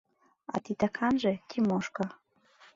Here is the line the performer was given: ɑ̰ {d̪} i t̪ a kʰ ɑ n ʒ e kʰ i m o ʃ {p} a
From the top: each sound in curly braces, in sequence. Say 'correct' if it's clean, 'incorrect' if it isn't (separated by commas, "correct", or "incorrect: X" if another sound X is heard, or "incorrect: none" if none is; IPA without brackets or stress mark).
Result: incorrect: t̪, incorrect: k